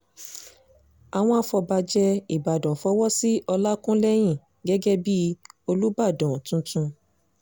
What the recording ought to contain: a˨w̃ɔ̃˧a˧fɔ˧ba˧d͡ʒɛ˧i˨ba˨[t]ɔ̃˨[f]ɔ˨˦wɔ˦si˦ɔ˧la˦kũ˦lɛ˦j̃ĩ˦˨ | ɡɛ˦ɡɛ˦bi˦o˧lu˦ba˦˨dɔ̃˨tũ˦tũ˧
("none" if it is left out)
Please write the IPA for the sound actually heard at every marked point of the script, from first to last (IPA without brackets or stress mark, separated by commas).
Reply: d, f